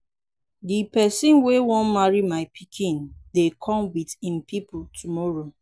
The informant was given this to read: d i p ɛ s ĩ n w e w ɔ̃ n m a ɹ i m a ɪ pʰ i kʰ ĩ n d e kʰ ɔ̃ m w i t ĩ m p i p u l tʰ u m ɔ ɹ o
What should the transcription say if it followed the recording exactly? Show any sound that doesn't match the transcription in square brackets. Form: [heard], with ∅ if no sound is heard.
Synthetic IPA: d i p ɛ s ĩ n w e w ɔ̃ n m a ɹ i m a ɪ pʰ i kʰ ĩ n d e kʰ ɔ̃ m w i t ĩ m p i p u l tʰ u m ɔ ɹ o